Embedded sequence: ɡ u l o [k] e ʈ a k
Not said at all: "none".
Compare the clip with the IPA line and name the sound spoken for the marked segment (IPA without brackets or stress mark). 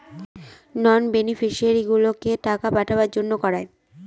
k